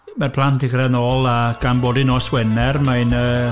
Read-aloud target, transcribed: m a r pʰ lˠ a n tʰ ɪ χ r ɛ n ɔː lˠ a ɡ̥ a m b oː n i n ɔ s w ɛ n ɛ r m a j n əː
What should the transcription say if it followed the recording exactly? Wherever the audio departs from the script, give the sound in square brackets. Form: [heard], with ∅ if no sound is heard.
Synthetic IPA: m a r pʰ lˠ a n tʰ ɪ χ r ɛ n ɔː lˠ a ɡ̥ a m b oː [d] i n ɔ s w ɛ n ɛ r m a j n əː